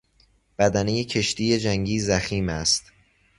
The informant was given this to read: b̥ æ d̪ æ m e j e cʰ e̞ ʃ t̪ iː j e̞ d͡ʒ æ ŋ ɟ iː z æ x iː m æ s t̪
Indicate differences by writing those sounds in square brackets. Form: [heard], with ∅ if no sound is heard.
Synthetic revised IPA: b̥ æ d̪ æ [n] e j e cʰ e̞ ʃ t̪ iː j e̞ d͡ʒ æ ŋ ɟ iː z æ x iː m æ s t̪